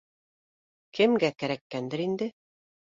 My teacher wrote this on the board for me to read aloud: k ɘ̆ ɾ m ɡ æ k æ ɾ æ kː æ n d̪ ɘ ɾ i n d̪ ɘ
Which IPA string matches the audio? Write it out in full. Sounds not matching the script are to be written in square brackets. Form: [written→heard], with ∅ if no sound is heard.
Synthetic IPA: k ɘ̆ [ɾ→∅] m ɡ æ k æ ɾ æ kː æ n d̪ ɘ ɾ i n d̪ ɘ